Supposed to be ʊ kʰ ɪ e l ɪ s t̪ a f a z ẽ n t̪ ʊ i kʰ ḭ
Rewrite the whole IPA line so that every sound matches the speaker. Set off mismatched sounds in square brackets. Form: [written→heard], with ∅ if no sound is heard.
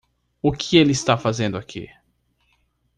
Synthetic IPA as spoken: ʊ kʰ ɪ e l ɪ s t̪ a f a z ẽ n [t̪→d̪] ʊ [i→a] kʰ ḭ